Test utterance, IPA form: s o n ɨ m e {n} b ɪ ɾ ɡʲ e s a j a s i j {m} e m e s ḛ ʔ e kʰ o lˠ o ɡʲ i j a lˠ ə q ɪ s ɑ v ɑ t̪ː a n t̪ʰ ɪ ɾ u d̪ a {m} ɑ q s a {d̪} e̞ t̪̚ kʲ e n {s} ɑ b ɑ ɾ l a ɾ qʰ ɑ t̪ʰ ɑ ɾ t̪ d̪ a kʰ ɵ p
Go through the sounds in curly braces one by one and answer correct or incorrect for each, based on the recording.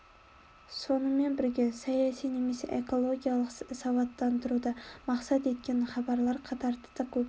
correct, incorrect: n, correct, incorrect: t̪, incorrect: χ

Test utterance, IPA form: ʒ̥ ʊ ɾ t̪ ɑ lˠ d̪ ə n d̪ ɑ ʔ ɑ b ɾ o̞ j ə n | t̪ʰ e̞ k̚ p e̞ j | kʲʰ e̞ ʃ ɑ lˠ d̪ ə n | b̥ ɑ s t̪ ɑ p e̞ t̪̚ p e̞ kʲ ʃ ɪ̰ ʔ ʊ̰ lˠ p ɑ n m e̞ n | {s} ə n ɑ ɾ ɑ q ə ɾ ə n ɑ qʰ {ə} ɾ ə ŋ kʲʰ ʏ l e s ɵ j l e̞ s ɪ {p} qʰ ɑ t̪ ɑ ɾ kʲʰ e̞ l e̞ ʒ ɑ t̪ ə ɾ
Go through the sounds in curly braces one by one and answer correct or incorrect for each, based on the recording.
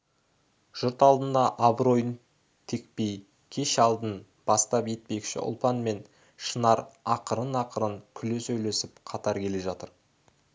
incorrect: ʃ, correct, correct

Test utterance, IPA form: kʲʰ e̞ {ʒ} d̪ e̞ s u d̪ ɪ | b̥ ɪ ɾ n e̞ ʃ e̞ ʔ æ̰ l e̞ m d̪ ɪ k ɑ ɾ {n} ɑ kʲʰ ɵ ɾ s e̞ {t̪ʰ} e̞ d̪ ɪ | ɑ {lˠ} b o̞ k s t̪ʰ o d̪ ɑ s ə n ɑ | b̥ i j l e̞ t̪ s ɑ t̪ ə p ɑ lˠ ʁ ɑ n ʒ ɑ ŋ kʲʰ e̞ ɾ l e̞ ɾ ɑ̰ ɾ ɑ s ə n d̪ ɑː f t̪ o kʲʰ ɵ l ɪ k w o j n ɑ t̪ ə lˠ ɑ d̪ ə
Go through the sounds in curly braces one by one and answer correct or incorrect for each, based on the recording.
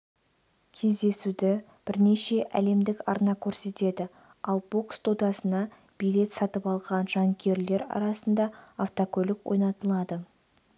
incorrect: z, correct, incorrect: t̪, correct

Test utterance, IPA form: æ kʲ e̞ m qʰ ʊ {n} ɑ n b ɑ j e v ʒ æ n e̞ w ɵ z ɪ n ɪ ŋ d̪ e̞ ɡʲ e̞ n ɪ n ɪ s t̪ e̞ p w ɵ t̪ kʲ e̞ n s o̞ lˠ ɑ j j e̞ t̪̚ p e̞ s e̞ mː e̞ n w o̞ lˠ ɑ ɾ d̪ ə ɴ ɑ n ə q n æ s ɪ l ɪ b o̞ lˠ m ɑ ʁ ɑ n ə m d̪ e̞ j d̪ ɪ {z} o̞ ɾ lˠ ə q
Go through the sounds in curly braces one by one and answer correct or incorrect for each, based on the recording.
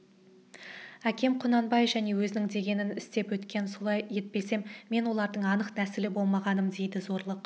correct, correct

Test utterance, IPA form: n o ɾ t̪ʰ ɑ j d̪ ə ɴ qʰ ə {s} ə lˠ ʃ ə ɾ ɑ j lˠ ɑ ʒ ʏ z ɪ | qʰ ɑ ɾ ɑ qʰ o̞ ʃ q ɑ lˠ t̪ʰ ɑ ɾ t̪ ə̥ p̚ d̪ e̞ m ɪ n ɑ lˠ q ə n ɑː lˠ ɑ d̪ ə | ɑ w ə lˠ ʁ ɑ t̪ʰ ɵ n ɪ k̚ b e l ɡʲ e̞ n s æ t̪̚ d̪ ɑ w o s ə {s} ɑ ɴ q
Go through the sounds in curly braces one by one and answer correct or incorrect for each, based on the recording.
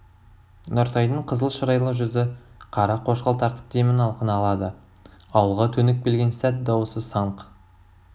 incorrect: z, correct

